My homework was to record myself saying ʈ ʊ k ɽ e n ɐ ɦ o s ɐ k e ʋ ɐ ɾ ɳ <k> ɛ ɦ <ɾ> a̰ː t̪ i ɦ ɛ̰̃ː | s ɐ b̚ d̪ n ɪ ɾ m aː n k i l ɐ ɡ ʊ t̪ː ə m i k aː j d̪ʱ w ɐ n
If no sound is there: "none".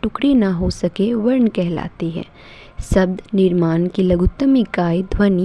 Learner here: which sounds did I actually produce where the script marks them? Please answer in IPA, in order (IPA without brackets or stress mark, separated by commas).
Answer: k, l